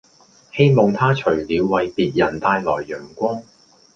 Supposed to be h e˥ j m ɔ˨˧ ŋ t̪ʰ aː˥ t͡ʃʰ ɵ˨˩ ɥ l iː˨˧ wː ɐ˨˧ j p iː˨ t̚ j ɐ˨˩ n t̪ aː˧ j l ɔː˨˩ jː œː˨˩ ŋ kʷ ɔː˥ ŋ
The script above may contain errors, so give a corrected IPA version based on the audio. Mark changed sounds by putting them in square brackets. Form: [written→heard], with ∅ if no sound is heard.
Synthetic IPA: h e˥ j m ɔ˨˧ ŋ t̪ʰ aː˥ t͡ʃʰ ɵ˨˩ ɥ l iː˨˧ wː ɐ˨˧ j p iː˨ t̚ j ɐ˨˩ n t̪ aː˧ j l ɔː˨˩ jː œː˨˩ ŋ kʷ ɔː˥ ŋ